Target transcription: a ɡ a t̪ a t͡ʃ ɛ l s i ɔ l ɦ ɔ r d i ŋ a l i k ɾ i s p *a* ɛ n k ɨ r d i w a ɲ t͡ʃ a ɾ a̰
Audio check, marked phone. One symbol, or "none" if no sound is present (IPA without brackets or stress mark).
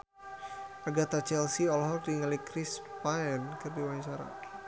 a